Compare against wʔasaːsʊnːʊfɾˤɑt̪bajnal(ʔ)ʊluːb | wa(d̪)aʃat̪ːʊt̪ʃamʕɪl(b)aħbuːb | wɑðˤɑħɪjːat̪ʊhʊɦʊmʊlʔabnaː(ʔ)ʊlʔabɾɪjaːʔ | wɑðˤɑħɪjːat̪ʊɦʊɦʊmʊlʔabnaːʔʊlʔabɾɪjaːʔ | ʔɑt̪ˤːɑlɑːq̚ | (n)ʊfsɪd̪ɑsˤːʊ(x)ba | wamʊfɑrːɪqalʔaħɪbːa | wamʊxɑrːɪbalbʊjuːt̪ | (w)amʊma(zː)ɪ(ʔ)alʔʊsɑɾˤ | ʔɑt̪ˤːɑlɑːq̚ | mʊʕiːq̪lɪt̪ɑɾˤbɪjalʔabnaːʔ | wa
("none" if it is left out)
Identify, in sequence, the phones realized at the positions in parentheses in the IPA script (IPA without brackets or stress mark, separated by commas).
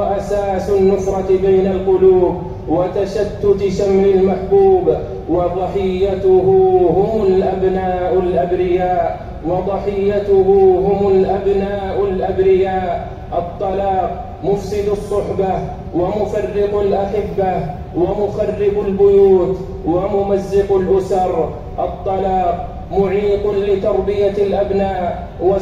q, t̪, m, ʔ, m, ħ, w, zː, q